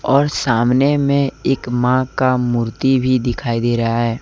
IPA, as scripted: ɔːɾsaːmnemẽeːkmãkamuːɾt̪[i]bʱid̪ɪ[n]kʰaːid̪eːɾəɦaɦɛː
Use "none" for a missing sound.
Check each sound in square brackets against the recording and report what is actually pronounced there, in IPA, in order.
i, none

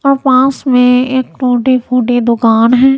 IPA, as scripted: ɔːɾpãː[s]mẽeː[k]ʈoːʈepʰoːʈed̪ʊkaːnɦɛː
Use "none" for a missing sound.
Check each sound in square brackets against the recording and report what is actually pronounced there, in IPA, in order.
s, k

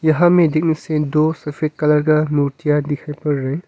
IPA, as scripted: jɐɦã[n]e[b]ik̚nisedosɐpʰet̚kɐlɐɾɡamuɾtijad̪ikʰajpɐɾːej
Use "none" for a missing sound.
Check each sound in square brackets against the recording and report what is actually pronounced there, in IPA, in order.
m, d

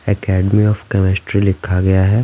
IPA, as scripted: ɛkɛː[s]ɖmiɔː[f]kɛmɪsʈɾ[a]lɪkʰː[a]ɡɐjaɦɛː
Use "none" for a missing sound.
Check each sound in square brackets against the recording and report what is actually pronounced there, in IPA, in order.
none, f, i, a

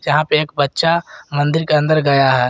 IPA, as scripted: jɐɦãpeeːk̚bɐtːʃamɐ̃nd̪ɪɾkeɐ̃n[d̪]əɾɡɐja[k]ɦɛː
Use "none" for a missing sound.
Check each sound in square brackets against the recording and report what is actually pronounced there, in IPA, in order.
d̪, none

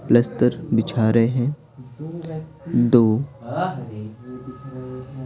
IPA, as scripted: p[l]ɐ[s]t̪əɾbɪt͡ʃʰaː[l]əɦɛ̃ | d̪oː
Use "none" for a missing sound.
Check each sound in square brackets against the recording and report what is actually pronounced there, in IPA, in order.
l, s, ɾ

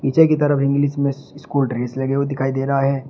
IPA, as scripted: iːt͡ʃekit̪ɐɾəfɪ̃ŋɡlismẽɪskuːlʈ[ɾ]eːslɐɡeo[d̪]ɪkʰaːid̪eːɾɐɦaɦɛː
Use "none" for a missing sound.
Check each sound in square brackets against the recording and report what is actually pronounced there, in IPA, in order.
ɾ, d̪

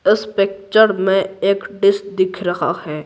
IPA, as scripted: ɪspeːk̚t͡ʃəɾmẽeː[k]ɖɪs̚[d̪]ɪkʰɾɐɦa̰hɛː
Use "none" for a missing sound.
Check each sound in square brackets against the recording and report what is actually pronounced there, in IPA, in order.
k, d̪

